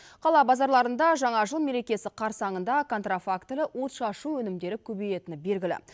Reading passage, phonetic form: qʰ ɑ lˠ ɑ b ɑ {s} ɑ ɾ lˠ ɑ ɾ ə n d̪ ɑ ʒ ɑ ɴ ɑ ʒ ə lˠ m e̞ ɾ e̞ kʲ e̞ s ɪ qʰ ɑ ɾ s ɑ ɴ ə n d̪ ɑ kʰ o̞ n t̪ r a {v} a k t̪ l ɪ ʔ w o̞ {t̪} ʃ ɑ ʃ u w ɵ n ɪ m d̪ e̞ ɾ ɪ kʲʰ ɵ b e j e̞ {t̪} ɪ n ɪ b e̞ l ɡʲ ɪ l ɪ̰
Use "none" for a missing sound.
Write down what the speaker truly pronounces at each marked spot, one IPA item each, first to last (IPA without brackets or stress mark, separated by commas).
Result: z, f, t̪, t̪